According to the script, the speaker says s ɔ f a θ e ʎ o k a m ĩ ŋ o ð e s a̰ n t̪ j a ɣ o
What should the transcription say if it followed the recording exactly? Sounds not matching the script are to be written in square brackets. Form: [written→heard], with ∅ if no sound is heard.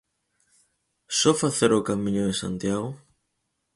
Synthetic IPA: s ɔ f a θ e [ʎ→ɾ] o k a m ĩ [ŋ→ɲ] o ð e s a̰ n t̪ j a ɣ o

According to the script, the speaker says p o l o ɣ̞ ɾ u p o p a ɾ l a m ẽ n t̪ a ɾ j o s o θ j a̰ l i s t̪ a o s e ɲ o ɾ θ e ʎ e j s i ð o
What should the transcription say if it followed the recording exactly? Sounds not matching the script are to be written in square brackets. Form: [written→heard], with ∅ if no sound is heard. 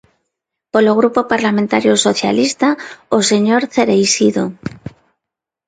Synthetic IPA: p o l o ɣ̞ ɾ u p o p a ɾ l a m ẽ n t̪ a ɾ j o s o θ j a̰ l i s t̪ a o s e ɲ o ɾ θ e [ʎ→ɾ] e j s i ð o

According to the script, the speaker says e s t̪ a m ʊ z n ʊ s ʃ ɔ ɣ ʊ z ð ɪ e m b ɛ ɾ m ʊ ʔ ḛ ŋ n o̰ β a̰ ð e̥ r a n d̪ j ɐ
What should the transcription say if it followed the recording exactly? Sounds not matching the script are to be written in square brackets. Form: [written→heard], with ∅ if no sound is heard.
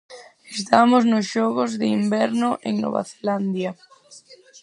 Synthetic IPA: e s t̪ a m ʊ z n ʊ s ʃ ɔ ɣ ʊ z ð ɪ [e→i] m b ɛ ɾ [m→n] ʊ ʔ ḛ ŋ n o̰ β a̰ [ð→θ] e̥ [r→l] a n d̪ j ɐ

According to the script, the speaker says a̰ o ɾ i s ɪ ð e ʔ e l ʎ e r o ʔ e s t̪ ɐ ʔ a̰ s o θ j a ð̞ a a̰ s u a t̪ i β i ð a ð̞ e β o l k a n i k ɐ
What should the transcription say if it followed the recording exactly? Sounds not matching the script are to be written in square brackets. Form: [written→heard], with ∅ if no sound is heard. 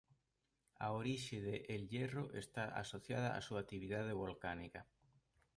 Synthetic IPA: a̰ o ɾ i [s→ʃ] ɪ ð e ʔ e l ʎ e r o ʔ e s t̪ [ɐ→a] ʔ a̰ s o θ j a ð̞ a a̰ s u a t̪ i β i ð a ð̞ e β o l k a n i k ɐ

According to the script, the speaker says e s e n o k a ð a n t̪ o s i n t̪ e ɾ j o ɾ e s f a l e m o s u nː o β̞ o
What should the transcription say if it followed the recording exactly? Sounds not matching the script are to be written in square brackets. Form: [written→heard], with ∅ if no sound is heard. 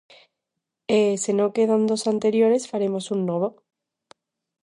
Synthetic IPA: e s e n o k [a→e] ð a n [t̪→d̪] o s [i→a] n t̪ e ɾ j o ɾ e s f a [l→ɾ] e m o s u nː o β̞ o

